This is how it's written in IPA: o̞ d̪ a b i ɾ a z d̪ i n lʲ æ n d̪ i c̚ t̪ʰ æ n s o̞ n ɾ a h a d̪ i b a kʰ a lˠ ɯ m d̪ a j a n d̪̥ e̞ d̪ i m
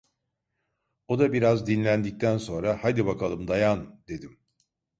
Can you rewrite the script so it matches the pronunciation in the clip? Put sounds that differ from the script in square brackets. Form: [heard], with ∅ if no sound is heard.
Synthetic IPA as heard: o̞ d̪ a b i ɾ a z d̪ i n lʲ æ n d̪ i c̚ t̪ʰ æ n s o̞ n ɾ a h a d̪ i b a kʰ a lˠ ɯ m d̪ a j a n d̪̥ e̞ d̪ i m